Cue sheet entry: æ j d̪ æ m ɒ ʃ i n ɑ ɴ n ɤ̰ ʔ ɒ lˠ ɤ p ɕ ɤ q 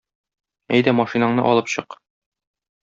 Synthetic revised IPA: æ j d̪ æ m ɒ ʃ i n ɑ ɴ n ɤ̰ ʔ ɒ lˠ ɤ p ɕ ɤ q

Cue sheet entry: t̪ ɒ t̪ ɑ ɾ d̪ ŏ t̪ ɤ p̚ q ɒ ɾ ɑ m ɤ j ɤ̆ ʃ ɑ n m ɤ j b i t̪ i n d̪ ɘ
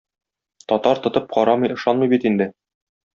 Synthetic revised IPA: t̪ ɒ t̪ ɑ ɾ t̪ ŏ t̪ ɤ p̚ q ɒ ɾ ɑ m ɤ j ɤ̆ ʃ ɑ n m ɤ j b i t̪ i n d̪ ɘ

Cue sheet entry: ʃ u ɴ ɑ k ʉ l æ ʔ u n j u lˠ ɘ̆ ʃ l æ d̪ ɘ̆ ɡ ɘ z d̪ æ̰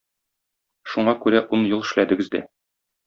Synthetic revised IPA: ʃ u ɴ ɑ k ʉ ɾ æ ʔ u n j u lˠ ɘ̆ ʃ l æ d̪ ɘ̆ ɡ ɘ z d̪ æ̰

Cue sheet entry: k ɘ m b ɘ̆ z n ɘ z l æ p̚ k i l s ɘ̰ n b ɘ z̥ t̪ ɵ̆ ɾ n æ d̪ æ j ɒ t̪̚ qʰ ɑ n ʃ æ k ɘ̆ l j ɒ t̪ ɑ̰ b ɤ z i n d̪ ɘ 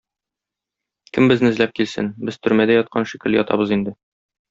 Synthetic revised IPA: k ɘ m b ɘ̆ z n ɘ z l æ p̚ k i l s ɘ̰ n b ɘ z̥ t̪ ɵ̆ ɾ m æ d̪ æ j ɒ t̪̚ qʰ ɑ n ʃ i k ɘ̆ l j ɒ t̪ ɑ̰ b ɤ z i n d̪ ɘ

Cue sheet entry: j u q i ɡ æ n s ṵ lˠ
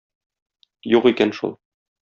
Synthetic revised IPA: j u q i k æ n ʃ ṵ lˠ

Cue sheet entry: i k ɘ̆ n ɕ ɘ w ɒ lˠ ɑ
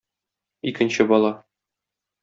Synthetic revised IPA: i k ɘ̆ n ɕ ɘ b ɒ lˠ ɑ

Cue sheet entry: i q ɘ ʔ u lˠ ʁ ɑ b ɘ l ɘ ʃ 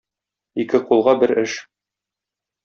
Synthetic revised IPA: i k ɘ q u lˠ ʁ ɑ b ɘ ɾ ɘ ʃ

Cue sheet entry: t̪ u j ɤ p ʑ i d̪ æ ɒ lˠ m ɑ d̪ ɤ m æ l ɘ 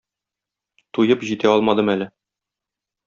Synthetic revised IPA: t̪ u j ɤ p ʑ i t̪ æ ɒ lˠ m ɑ d̪ ɤ m æ l ɘ

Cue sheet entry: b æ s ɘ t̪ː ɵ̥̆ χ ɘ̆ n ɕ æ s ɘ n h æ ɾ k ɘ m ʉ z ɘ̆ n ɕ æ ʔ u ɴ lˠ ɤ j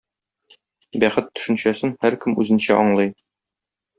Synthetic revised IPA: b æ χ ɘ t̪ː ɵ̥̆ ʃ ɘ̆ n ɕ æ s ɘ n h æ ɾ k ɘ m ʉ z ɘ̆ n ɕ æ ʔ ɒ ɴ lˠ ɤ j

